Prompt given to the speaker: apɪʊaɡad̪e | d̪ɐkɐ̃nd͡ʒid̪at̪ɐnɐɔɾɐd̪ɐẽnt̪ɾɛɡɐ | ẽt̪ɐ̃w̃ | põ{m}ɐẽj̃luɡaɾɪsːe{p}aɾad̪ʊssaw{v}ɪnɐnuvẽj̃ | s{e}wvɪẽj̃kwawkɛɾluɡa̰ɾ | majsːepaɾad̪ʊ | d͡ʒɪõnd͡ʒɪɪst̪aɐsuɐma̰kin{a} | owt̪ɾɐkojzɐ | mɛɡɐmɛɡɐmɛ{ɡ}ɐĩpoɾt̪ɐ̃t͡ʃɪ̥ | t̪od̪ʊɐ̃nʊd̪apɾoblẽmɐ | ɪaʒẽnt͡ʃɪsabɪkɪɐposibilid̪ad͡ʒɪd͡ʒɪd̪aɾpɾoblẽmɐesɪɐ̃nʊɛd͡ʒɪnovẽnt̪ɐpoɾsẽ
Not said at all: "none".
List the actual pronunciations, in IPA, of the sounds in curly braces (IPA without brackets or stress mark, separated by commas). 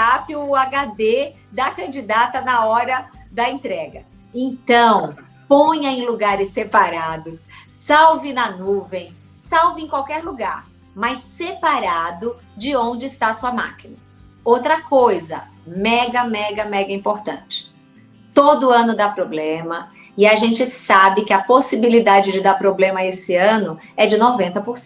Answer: ɲ, p, v, a, ɐ, ɡ